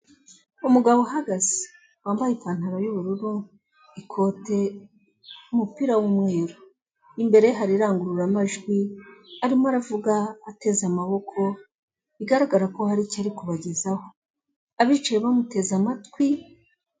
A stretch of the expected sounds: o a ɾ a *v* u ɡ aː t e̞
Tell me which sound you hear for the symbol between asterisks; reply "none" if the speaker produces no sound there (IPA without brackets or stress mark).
v